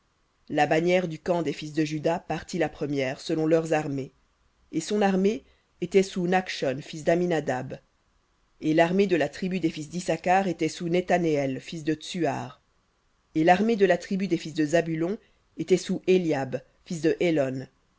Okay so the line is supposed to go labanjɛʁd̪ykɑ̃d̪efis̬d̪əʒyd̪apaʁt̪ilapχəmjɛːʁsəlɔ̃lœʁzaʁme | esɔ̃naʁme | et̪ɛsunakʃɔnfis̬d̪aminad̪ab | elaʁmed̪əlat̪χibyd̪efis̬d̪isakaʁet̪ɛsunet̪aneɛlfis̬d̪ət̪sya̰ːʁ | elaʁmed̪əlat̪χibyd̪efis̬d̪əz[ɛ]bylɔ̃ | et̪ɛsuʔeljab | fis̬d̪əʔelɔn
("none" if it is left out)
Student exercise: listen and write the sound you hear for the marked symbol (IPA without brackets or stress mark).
a